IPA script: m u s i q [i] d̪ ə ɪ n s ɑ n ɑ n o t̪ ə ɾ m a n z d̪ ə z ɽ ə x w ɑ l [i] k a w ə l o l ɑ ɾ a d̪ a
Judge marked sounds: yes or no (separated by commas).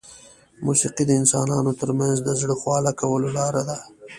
yes, no